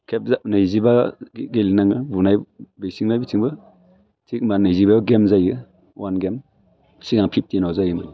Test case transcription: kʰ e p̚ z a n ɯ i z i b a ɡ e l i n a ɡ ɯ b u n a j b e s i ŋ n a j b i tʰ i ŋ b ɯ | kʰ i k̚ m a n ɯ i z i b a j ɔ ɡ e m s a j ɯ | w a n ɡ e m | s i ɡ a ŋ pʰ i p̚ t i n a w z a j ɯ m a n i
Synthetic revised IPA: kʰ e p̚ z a n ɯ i z i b a ɡ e l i n a ŋ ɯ b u n a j b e s i ŋ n a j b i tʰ i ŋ b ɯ | tʰ i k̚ m a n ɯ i z i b a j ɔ ɡ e m z a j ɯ | w a n ɡ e m | s i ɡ a ŋ pʰ i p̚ t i n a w z a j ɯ m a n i